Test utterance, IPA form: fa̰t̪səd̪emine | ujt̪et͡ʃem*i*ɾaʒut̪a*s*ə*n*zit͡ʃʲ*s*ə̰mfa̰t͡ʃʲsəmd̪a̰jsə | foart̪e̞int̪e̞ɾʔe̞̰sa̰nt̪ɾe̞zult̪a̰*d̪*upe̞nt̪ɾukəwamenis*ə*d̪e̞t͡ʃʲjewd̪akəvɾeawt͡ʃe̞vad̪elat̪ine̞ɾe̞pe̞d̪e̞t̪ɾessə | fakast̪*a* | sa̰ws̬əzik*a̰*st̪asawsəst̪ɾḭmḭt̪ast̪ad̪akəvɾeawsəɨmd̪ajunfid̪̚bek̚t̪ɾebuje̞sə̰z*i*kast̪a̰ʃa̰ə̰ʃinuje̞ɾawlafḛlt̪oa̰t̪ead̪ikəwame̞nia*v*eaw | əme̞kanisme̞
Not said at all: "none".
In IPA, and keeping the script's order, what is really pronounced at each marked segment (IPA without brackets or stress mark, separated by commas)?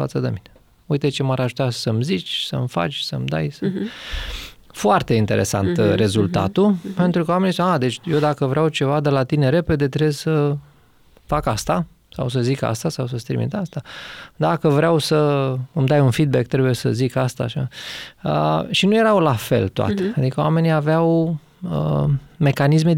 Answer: a, s, m, s, t̪, a, a, a̰, i, v